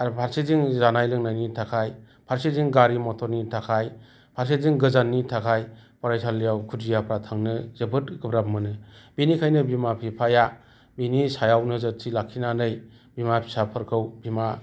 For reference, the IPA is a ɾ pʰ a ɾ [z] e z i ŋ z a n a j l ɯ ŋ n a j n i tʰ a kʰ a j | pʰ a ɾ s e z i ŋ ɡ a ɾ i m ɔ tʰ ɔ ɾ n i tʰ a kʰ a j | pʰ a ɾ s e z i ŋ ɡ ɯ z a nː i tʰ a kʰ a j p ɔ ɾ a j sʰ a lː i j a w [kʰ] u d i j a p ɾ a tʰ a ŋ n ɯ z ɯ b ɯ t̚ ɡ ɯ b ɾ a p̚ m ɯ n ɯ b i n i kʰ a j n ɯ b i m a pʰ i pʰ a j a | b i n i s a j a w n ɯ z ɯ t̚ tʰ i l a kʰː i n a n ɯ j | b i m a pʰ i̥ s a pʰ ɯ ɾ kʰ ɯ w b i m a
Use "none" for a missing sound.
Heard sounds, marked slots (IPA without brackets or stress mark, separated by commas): s, kʰ